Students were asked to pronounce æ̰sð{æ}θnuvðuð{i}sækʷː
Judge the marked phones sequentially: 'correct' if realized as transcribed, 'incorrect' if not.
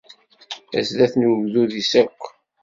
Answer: correct, correct

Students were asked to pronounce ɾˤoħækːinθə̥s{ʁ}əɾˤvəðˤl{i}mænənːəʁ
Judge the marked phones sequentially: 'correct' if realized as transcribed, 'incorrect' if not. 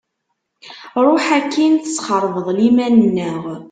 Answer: incorrect, correct

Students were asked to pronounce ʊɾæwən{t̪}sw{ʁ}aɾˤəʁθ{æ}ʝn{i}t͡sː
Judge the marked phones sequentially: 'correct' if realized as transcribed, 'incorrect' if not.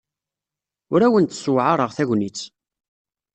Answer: correct, incorrect, correct, correct

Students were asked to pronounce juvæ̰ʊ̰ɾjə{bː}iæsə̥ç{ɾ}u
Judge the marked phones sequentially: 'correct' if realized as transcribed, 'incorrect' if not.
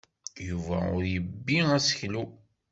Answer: correct, incorrect

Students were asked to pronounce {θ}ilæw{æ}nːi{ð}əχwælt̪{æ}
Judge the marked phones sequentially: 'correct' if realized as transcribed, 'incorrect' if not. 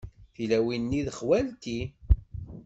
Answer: correct, incorrect, correct, incorrect

